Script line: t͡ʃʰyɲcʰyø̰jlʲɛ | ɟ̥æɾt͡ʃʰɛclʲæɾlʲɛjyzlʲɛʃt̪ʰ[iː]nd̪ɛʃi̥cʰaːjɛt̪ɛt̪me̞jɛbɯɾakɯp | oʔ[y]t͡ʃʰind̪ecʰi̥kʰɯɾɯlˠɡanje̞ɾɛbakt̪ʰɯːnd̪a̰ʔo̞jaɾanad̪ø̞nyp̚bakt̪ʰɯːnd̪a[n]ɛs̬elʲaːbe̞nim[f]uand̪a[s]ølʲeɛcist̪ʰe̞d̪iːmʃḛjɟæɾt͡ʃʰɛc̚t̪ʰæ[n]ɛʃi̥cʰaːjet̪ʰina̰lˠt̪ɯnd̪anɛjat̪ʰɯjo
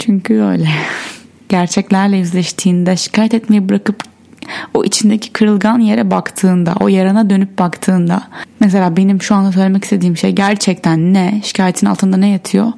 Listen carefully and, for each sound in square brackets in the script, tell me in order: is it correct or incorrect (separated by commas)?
correct, incorrect, incorrect, incorrect, correct, incorrect